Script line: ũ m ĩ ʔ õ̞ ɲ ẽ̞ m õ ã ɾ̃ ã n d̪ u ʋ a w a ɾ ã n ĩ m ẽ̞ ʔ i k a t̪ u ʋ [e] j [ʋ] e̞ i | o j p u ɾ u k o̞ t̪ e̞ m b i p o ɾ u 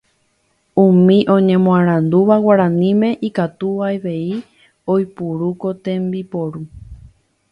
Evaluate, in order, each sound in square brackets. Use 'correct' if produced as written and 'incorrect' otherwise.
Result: incorrect, correct

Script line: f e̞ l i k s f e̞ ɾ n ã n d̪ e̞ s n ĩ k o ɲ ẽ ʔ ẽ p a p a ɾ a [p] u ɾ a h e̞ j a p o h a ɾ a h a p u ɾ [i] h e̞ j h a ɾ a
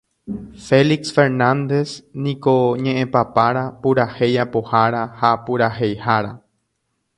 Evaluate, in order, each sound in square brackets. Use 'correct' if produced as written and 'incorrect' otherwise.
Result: correct, incorrect

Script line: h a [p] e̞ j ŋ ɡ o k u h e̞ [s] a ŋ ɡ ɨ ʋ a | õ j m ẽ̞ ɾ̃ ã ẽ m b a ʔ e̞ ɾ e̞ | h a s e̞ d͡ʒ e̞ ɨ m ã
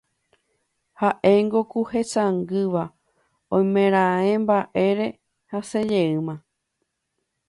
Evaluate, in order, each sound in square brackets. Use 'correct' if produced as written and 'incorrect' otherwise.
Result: incorrect, correct

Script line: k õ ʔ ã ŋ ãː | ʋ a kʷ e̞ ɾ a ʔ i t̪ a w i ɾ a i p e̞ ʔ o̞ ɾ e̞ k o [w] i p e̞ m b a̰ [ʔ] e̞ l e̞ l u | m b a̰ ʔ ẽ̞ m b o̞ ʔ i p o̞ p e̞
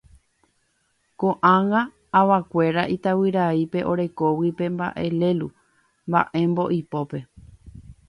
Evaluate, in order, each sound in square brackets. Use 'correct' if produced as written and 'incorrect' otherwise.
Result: correct, correct

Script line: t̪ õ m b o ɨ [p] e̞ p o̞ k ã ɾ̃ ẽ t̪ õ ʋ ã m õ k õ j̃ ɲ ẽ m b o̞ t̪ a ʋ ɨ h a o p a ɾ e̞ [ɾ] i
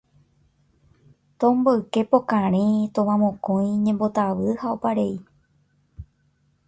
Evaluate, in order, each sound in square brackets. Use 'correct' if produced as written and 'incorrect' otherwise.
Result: incorrect, incorrect

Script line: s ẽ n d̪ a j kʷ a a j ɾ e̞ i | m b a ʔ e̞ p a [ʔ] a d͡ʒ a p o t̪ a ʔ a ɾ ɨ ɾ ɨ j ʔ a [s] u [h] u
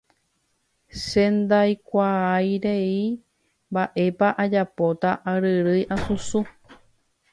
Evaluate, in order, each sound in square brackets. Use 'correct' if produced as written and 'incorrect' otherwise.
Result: correct, correct, incorrect

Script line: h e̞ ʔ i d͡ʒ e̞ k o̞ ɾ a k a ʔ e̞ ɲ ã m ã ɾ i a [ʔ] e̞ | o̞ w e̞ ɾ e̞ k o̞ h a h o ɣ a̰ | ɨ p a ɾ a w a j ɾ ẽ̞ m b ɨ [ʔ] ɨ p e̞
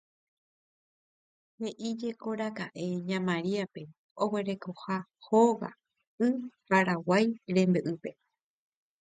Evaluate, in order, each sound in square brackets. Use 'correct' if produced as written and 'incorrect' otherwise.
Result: incorrect, correct

